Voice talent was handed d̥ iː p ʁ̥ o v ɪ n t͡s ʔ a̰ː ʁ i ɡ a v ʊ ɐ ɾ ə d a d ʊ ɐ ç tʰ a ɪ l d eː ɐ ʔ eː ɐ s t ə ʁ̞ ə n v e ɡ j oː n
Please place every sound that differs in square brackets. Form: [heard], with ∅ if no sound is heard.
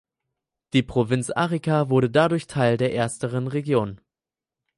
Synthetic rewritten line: d̥ iː p ʁ̥ o v ɪ n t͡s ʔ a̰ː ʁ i [k] a v ʊ ɐ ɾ ə d a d ʊ ɐ ç tʰ a ɪ l d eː ɐ ʔ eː ɐ s t ə ʁ̞ ə n [ʁ] e ɡ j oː n